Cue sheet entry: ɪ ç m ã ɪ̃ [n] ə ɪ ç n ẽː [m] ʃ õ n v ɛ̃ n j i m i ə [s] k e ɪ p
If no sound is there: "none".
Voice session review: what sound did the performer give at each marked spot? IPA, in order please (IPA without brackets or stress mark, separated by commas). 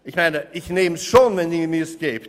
n, m, s